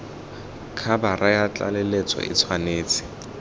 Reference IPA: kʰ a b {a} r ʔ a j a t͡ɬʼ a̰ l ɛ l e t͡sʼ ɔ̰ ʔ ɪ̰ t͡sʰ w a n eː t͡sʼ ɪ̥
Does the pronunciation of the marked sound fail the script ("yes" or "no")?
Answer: no